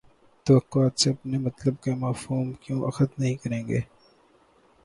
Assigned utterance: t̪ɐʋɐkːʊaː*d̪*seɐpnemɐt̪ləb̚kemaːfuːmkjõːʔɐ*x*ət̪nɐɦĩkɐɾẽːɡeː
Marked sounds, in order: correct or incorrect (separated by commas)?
incorrect, correct